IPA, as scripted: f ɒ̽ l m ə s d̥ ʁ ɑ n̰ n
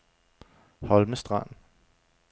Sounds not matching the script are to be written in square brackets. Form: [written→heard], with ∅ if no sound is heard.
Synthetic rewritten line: [f→h] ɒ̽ l m ə s d̥ ʁ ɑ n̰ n